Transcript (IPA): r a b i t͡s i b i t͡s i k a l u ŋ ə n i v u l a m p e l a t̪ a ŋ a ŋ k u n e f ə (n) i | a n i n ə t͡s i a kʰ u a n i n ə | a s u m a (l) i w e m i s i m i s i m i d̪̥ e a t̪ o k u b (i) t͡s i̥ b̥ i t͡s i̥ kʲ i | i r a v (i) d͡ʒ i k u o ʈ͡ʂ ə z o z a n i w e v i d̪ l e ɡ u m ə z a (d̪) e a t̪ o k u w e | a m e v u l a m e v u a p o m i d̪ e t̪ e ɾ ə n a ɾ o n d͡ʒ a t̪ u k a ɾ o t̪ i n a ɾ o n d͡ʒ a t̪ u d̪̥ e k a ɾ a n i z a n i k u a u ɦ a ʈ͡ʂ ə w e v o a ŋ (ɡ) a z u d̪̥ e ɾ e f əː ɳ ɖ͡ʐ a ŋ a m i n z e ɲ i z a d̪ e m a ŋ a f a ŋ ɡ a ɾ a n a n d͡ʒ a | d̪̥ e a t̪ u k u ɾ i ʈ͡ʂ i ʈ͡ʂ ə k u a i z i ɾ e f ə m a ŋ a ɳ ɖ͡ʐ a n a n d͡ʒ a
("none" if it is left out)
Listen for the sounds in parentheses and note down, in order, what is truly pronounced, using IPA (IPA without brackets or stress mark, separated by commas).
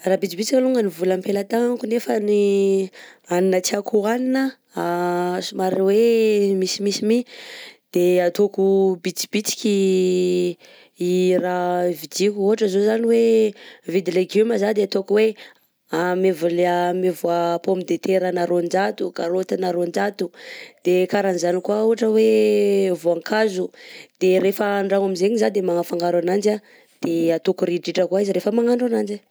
n, ɾ, i, i, d̪, k